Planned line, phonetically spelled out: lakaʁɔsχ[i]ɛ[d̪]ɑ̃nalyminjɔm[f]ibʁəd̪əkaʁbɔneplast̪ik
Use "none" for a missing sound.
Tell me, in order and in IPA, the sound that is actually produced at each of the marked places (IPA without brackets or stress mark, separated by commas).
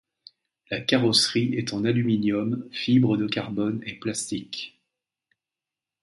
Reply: i, t̪, f